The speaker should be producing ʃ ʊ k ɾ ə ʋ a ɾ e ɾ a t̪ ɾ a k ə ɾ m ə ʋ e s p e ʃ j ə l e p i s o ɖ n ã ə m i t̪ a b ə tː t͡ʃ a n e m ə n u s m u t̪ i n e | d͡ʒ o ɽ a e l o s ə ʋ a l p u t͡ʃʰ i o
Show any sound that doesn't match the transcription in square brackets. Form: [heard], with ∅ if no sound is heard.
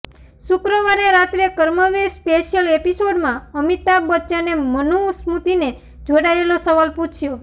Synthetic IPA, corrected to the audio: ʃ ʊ k ɾ ə ʋ a ɾ e ɾ a t̪ ɾ [e] k ə ɾ m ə ʋ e s p e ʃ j ə l e p i s o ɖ [m] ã ə m i t̪ a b ə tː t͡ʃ a n e m ə n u s m u t̪ i n e | d͡ʒ o ɽ a e l o s ə ʋ a l p u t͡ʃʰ [j] o